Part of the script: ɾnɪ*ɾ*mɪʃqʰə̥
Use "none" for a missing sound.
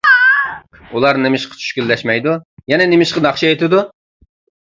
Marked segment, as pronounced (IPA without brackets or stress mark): none